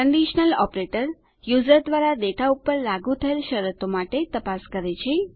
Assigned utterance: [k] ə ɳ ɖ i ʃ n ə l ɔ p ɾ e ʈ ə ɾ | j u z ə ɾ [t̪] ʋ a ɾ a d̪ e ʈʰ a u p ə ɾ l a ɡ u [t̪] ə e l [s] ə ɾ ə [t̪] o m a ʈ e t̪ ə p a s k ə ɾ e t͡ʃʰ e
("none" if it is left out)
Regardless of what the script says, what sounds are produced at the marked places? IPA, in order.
k, d̪, t̪ʰ, ʃ, t̪

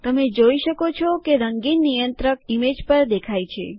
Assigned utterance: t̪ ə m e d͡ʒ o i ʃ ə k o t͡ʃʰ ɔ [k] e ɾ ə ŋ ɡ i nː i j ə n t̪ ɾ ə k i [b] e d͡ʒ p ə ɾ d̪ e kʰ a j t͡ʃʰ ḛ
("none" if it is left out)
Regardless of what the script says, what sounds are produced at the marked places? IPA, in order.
k, m

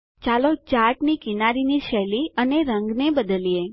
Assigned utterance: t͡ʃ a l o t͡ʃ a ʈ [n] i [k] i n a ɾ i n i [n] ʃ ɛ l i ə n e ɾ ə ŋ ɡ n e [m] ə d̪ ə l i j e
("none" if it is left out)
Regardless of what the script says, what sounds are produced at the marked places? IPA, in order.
n, k, none, b

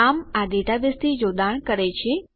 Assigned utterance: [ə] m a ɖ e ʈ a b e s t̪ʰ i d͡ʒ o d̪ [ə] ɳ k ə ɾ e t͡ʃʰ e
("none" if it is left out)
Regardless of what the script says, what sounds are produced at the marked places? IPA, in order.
a, a

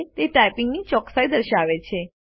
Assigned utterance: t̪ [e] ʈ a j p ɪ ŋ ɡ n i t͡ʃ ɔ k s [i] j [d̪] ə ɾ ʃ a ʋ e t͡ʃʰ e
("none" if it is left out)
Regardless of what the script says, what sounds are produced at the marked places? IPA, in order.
e, a, d̪

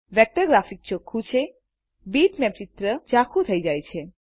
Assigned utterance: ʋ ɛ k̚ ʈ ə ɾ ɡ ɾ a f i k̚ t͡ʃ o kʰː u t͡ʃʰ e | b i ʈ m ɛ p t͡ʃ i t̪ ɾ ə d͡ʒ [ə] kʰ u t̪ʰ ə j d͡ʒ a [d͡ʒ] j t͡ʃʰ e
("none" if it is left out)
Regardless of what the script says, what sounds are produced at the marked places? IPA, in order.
a, none

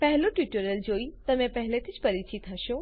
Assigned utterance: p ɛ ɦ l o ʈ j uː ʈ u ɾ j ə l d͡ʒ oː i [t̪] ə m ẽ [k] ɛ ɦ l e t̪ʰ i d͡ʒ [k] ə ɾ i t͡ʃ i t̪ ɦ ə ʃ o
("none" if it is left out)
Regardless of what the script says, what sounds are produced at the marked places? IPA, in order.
t̪, p, p

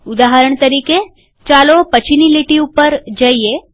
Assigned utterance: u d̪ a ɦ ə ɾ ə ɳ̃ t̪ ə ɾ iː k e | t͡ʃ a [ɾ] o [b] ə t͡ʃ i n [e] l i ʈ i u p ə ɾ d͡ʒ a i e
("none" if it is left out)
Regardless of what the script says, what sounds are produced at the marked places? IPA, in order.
l, p, i

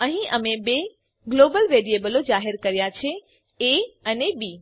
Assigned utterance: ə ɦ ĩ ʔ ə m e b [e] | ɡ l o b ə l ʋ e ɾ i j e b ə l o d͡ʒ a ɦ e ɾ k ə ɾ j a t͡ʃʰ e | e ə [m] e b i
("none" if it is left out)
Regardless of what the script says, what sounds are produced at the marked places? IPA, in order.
e, n

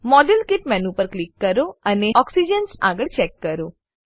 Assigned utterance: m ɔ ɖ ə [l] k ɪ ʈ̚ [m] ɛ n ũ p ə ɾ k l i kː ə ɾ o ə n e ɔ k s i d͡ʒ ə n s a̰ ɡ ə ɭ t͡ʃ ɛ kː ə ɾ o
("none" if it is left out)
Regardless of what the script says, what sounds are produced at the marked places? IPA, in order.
l, m

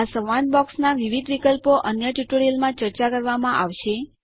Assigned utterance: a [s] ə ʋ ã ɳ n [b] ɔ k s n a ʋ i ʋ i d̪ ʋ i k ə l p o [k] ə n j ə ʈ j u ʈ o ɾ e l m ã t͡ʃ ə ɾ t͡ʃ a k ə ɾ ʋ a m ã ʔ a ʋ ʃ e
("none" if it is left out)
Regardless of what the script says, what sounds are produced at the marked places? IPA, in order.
s, b, ʔ

